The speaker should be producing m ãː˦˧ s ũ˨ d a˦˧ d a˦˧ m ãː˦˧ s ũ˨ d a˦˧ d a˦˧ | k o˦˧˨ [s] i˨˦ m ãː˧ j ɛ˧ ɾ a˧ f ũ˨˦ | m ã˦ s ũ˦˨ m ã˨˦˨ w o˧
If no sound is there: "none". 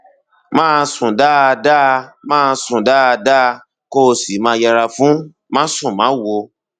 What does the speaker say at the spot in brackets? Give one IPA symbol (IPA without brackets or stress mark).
s